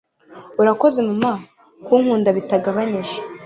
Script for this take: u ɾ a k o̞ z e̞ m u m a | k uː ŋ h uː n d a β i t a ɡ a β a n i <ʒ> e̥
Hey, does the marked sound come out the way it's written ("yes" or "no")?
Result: yes